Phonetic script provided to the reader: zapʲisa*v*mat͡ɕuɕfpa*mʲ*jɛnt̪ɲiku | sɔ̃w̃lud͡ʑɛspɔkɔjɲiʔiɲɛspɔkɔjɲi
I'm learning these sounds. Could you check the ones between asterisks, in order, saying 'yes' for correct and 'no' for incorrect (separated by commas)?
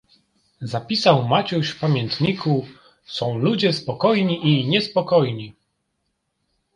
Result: no, yes